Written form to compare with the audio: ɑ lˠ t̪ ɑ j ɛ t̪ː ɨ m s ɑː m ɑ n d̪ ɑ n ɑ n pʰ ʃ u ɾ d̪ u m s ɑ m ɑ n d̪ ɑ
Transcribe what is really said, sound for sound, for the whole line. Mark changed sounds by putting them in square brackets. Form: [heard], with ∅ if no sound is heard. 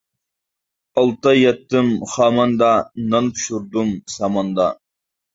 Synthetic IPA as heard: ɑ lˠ t̪ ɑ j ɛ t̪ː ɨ m [χ] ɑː m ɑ n d̪ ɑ n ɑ n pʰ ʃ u ɾ d̪ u m s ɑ m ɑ n d̪ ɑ